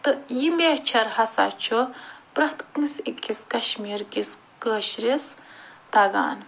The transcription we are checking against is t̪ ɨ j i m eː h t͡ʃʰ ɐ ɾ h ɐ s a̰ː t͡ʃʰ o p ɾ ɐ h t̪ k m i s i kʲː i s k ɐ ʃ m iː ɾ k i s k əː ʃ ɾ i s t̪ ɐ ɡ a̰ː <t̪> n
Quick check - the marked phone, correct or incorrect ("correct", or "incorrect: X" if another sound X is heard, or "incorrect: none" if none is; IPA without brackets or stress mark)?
incorrect: none